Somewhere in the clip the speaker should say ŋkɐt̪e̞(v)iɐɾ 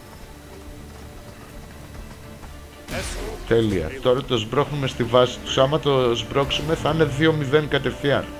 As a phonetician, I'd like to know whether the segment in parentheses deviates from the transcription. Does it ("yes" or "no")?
yes